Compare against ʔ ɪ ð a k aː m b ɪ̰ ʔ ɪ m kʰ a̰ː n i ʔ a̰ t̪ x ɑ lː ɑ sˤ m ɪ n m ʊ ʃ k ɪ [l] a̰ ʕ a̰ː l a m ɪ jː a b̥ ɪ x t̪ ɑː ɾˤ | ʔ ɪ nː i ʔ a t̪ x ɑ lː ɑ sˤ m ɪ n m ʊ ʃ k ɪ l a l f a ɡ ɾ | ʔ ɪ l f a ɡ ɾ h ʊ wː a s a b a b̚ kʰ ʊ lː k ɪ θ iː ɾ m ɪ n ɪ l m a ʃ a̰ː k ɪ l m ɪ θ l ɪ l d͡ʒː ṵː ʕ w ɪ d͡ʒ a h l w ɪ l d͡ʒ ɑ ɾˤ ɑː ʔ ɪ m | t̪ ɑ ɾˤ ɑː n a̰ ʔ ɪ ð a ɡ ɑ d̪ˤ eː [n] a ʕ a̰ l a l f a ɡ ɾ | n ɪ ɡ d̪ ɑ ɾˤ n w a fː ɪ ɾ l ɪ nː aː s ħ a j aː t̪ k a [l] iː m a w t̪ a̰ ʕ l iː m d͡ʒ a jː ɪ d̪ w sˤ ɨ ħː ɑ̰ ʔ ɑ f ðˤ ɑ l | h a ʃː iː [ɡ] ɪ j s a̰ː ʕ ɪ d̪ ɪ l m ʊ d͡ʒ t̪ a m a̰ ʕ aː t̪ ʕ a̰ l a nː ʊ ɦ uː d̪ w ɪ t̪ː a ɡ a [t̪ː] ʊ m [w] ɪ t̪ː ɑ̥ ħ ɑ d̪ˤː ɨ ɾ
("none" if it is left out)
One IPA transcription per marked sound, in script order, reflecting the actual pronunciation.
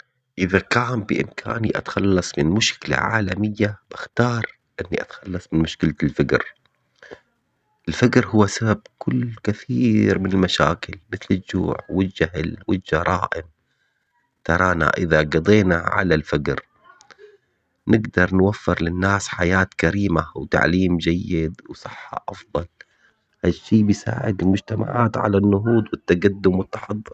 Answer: l, n, ɾ, b, d̪ː, w

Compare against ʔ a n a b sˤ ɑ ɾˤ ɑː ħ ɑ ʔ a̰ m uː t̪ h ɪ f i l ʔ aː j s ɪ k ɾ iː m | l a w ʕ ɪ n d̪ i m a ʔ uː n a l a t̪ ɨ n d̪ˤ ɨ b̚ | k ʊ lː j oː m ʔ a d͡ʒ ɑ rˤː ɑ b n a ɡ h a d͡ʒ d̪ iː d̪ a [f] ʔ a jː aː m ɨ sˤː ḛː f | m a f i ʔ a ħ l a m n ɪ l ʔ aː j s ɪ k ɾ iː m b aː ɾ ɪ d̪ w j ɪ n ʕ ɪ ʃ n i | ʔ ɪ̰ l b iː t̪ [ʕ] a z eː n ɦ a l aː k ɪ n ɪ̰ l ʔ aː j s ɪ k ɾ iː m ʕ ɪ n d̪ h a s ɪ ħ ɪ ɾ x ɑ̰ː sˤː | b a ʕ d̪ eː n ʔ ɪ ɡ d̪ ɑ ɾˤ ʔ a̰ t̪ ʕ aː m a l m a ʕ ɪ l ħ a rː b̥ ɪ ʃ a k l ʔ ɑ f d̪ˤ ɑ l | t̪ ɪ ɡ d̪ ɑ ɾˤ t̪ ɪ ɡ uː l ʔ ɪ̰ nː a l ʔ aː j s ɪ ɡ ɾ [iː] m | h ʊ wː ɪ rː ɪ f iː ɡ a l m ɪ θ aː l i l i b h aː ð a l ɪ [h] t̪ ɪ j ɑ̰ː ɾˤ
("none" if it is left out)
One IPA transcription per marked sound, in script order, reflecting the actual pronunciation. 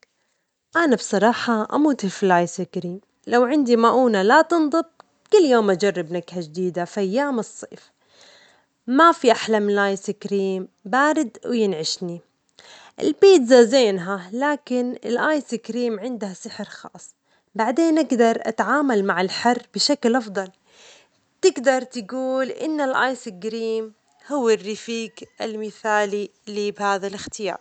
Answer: f, z, iː, x

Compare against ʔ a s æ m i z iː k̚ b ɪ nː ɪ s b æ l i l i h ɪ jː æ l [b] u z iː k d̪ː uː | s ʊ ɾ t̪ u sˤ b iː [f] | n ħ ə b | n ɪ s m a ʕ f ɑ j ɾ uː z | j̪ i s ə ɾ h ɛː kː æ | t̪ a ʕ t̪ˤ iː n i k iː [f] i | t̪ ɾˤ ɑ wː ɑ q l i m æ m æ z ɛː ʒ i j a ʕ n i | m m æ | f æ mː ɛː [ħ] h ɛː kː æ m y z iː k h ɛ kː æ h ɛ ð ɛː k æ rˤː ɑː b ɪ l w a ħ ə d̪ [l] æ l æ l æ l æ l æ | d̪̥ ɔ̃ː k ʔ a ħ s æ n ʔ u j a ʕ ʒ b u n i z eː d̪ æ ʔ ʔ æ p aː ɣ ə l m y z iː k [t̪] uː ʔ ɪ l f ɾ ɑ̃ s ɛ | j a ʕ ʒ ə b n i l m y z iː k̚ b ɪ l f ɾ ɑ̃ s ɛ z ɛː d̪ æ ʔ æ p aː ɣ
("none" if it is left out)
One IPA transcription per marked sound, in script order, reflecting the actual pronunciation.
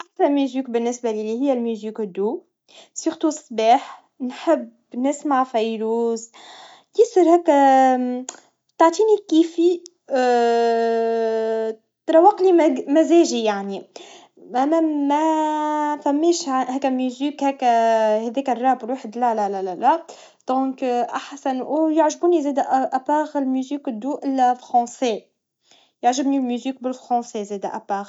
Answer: m, ħ, f, ʃ, l, d̪

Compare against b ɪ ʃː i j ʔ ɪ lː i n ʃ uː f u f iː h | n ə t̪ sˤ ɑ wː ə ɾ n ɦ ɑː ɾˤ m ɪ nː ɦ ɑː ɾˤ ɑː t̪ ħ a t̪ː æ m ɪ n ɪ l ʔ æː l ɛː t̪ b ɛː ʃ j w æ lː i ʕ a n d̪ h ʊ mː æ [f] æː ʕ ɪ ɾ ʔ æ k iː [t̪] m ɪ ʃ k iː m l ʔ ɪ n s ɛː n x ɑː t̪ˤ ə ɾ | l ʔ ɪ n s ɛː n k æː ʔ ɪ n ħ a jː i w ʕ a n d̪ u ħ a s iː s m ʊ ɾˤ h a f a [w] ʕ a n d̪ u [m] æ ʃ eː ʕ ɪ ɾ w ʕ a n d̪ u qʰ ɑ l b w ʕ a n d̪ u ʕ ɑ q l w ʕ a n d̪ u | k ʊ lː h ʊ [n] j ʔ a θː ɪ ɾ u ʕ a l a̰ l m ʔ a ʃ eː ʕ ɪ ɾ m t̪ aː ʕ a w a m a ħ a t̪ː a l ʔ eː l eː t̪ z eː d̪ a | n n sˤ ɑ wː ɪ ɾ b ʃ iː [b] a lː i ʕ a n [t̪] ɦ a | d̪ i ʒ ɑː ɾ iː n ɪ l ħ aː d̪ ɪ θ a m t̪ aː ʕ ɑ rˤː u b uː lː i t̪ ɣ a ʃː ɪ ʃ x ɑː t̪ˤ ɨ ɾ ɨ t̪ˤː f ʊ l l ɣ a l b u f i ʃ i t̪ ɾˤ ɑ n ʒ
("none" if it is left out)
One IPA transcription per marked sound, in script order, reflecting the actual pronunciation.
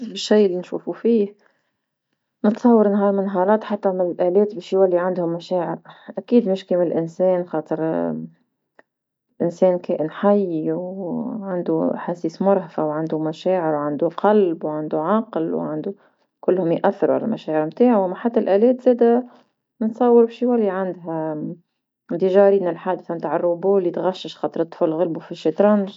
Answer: ʃ, d̪, w, m, m, w, d̪

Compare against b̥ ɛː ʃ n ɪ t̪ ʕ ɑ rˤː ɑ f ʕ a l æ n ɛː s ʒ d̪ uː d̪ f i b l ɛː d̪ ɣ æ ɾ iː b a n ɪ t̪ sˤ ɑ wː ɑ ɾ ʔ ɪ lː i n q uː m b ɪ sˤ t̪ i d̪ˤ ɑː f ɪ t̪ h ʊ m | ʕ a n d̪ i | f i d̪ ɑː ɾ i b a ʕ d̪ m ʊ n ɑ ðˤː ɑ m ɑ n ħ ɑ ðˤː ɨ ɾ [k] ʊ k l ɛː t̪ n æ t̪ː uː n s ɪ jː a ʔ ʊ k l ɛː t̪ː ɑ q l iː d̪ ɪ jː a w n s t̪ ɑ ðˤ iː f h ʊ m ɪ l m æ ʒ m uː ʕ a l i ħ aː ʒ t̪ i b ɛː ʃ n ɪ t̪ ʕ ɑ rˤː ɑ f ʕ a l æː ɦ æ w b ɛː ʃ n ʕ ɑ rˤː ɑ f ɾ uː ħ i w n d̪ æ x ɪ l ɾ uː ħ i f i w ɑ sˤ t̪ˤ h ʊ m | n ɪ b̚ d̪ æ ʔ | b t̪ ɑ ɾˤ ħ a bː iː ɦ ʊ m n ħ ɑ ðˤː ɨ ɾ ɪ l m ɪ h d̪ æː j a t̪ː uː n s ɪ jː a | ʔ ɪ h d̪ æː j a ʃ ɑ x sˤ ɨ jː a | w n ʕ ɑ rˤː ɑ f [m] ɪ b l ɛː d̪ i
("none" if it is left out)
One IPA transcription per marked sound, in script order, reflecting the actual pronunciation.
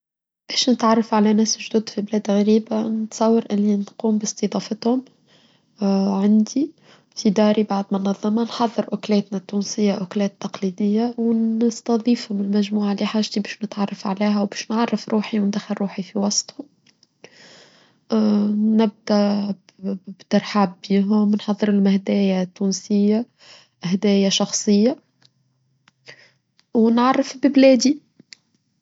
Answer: ʔ, b

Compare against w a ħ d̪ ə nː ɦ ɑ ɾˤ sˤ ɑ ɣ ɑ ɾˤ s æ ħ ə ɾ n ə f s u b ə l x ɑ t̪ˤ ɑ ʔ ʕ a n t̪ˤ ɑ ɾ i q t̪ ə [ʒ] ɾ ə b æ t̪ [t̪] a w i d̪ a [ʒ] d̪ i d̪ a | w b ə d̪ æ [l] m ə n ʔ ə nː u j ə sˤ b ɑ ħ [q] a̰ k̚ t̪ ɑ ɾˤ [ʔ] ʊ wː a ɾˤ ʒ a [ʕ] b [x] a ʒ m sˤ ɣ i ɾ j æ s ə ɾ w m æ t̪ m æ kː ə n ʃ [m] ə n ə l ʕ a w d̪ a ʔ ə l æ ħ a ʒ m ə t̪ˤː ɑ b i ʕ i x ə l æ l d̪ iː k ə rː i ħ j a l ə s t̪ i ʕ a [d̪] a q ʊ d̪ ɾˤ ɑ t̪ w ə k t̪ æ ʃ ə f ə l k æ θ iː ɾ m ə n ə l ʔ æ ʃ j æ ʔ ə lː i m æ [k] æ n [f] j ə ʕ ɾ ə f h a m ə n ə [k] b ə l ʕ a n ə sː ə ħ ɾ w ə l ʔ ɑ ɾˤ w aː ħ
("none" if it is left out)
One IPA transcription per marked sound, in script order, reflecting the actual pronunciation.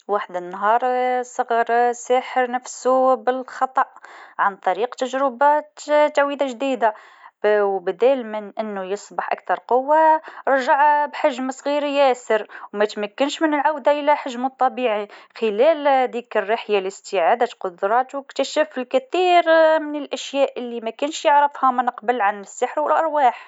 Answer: ʒ, t̪, ʒ, l, ʔ, q, ʕ, ħ, m, d̪, k, ʃ, q

